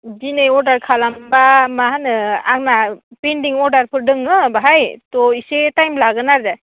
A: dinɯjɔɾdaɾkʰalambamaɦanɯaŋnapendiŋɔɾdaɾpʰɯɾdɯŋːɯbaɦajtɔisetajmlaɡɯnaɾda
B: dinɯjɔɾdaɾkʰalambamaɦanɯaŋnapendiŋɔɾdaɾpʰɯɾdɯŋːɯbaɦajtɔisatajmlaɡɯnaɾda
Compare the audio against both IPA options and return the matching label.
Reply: A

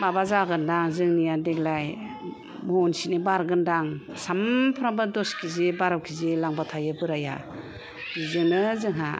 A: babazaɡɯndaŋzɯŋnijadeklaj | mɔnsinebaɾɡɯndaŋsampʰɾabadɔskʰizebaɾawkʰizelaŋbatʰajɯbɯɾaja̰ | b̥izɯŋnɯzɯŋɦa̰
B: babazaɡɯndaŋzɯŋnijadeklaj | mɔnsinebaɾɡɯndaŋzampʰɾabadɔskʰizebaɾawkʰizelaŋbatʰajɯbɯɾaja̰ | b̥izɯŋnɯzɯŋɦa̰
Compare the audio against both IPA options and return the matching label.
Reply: A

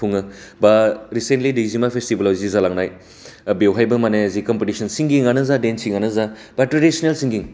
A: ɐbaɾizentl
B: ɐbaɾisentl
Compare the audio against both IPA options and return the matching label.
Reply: B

